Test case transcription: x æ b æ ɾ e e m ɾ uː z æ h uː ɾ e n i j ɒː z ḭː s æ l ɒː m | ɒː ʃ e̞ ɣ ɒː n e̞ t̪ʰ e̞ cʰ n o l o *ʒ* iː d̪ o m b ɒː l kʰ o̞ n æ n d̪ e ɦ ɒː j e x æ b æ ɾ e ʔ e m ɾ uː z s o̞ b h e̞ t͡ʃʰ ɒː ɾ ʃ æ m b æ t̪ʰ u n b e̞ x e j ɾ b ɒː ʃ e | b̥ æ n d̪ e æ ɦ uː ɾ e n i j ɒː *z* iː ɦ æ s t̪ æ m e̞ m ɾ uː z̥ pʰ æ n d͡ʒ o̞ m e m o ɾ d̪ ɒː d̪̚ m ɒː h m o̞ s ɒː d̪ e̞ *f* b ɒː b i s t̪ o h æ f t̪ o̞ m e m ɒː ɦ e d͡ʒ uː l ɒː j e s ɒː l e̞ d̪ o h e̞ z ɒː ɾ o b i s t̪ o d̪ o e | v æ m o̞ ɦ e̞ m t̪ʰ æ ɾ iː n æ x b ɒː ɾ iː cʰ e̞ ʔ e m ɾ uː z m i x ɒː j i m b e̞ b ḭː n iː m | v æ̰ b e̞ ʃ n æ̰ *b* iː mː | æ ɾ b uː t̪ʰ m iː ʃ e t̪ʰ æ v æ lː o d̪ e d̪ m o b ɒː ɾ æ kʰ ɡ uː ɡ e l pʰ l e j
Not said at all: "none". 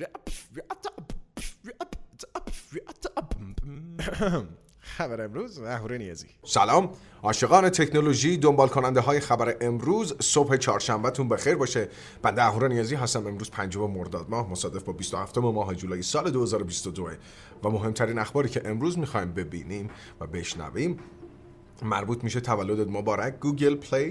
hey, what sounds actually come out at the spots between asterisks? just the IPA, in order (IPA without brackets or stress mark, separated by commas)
ʒ, z, f, v